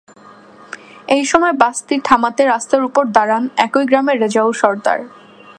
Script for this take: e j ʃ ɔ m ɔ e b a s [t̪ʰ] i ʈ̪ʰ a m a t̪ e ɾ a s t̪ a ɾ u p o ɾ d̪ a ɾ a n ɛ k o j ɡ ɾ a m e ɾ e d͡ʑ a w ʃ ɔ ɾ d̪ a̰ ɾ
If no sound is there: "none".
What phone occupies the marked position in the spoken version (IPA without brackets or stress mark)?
t̪